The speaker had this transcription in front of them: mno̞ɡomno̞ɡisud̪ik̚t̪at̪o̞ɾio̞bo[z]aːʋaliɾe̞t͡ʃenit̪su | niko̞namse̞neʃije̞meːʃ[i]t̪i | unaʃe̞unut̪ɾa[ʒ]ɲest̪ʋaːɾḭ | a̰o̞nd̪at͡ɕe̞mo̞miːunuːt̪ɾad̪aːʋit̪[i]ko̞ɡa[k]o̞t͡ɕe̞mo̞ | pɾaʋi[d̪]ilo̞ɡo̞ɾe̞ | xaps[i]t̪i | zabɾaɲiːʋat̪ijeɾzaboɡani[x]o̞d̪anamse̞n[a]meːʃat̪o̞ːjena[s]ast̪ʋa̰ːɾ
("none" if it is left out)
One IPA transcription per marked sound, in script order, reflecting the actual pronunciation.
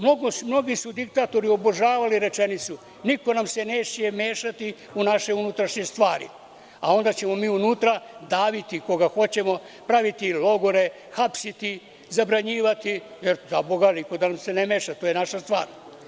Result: ʒ, a, ʃ, i, x, t̪, i, k, e, ʃ

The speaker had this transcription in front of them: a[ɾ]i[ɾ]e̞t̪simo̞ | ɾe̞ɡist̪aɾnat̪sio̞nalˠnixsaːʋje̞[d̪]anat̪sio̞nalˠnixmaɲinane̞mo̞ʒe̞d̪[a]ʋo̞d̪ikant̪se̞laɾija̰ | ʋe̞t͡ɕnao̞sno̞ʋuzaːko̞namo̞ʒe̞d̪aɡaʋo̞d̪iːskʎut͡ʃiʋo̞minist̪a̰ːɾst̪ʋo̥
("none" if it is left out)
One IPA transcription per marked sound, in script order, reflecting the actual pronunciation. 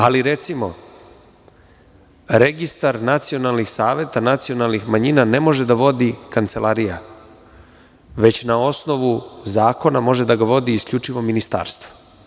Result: l, ɾ, t̪, a

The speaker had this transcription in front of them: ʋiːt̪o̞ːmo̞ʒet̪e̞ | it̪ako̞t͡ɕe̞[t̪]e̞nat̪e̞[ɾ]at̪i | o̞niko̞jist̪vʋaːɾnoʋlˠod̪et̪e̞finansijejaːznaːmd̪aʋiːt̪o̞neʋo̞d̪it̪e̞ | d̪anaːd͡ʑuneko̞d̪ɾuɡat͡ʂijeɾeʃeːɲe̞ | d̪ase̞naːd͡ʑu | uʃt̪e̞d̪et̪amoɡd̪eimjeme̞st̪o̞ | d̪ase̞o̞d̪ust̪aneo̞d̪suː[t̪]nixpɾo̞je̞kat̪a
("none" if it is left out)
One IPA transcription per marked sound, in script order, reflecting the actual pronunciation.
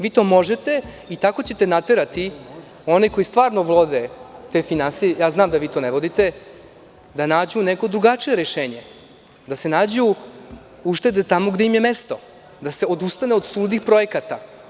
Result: t̪, ɾ, d̪

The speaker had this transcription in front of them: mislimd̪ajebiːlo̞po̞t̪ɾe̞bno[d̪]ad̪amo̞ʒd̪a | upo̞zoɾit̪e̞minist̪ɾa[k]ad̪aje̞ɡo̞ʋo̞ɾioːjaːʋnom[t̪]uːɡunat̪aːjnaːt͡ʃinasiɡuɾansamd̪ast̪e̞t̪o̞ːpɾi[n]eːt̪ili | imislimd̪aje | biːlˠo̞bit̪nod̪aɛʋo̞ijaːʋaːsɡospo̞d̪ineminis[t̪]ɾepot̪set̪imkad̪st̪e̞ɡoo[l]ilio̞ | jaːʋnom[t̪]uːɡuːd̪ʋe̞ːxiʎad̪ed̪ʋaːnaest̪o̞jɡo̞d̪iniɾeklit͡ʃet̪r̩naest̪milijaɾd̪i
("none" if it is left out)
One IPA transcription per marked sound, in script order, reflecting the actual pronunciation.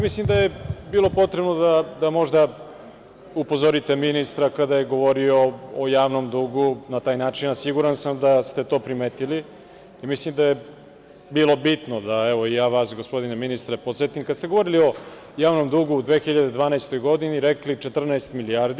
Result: d̪, k, d̪, m, t̪, ɾ, d̪

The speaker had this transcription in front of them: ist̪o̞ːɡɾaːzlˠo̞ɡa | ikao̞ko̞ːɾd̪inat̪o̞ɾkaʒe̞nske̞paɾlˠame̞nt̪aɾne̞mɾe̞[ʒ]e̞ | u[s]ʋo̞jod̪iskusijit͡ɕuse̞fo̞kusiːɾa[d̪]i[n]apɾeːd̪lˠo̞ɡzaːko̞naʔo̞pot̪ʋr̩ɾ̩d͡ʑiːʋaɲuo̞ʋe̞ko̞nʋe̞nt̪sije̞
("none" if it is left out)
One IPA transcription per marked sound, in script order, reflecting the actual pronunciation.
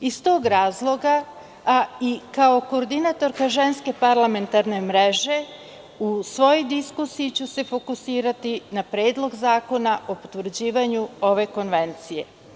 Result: ʒ, s, t̪, n

